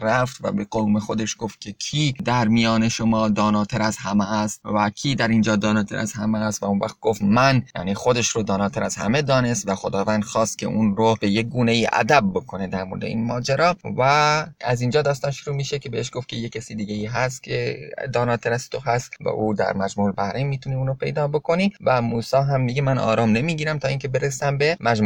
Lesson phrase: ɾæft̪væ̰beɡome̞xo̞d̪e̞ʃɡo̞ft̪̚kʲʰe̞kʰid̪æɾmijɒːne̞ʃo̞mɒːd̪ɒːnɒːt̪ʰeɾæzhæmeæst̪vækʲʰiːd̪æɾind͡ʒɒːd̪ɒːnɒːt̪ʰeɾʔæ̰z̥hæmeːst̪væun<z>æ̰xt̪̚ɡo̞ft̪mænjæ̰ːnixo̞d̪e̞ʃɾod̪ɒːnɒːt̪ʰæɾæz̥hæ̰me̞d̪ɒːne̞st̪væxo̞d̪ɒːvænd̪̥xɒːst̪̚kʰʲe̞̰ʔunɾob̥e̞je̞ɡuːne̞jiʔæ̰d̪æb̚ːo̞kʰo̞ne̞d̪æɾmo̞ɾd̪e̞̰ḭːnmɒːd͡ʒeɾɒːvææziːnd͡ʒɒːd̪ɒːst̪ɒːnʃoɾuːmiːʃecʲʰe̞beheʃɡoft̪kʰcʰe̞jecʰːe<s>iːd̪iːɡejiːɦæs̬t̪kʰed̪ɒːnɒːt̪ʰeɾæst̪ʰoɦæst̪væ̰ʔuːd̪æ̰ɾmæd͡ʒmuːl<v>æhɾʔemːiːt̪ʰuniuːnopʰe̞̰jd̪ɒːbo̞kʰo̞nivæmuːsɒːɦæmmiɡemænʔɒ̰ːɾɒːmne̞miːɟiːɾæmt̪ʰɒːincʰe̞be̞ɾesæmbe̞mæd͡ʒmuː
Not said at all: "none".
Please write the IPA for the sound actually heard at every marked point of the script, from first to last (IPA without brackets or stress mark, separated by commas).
v, s, b